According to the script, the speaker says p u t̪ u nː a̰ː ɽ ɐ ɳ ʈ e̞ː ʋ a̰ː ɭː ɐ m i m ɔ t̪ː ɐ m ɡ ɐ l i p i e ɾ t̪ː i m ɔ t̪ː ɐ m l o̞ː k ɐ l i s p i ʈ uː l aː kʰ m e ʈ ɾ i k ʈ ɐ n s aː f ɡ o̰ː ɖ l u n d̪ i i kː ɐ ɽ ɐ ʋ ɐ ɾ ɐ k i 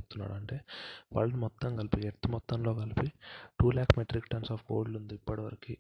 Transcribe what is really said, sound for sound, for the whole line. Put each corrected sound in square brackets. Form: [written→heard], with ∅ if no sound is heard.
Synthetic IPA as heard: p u t̪ u nː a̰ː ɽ ɐ ɳ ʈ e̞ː ʋ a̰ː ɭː ɐ [m→n] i m ɔ t̪ː ɐ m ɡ ɐ l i p i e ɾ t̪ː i m ɔ t̪ː ɐ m l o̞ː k ɐ l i [s→∅] p i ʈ uː l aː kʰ m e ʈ ɾ i k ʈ ɐ n s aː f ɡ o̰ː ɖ l u n d̪ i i [kː→pː] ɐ ɽ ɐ ʋ ɐ ɾ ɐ k i